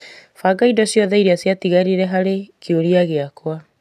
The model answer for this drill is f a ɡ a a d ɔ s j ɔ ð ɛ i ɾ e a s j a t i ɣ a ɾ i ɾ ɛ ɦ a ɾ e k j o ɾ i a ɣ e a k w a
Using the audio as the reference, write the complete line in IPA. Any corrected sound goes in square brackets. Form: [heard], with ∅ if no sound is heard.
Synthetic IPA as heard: f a ɡ a [i] d ɔ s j ɔ ð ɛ i ɾ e a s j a t i ɣ a ɾ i ɾ ɛ ɦ a ɾ e k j o ɾ i a ɣ e a k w a